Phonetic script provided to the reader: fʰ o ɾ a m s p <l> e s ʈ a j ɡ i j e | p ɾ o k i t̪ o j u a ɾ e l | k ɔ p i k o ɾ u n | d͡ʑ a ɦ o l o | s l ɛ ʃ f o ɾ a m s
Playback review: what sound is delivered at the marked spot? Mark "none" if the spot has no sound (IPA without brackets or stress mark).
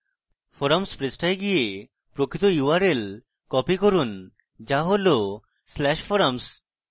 ɾ